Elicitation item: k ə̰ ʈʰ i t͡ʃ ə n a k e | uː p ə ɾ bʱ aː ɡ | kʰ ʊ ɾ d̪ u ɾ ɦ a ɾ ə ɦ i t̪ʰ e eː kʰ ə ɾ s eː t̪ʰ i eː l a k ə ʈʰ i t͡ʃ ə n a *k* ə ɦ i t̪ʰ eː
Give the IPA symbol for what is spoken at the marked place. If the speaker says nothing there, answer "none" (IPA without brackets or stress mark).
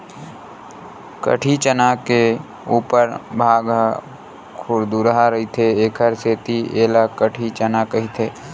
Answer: k